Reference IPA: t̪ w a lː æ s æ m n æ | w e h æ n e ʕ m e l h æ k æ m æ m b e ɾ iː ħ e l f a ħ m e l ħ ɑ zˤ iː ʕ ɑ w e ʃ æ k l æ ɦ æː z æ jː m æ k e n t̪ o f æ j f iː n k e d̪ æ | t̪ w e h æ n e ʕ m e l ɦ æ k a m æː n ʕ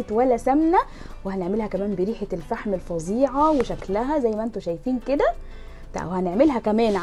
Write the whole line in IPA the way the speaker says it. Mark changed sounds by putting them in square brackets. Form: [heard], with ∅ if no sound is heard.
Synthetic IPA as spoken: t̪ w [æ] lː æ s æ m n æ | w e h æ n e ʕ m e l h æ k æ m [æː] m b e ɾ iː ħ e l f a ħ m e l [f] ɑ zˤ iː ʕ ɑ w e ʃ æ k l æ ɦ [æ] z æ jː m æ [ʔ] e n t̪ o [ʃ] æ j f iː n k e d̪ æ | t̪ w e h æ n e ʕ m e l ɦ æ k [æ] m æː n ʕ